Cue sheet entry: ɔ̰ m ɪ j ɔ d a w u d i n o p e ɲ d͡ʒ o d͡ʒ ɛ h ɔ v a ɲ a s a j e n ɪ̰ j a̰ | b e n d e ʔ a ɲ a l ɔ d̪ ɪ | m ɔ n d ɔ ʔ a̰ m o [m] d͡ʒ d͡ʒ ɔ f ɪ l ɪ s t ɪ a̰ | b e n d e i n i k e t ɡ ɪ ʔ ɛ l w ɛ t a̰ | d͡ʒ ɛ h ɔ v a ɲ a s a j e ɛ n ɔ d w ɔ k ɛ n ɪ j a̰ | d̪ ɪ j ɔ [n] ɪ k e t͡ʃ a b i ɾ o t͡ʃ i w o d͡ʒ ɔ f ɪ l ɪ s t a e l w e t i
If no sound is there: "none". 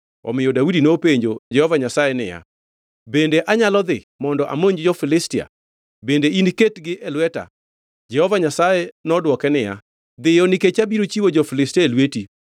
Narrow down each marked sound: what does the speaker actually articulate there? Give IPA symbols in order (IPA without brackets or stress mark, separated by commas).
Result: ɲ, n